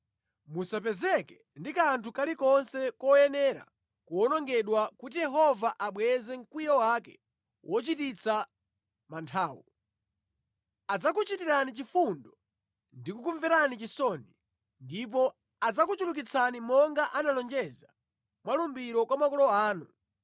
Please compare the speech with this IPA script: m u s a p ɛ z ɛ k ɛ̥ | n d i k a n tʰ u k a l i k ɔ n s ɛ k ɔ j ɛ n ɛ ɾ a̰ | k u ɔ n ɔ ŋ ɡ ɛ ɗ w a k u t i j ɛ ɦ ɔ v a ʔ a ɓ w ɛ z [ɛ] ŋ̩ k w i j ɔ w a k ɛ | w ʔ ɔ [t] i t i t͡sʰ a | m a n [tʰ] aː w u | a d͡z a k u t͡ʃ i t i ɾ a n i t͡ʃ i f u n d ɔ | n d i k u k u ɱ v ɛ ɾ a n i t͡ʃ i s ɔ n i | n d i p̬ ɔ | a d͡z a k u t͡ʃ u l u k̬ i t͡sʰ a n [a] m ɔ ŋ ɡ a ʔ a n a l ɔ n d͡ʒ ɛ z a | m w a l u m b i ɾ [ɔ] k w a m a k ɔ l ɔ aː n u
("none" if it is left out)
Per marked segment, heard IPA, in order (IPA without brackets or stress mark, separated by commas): ɛ, t͡ʃ, tʰ, i, ɔ